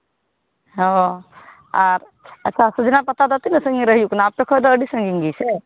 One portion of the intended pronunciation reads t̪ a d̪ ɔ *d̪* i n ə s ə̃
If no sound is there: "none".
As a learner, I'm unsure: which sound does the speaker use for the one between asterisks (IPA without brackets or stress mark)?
t̪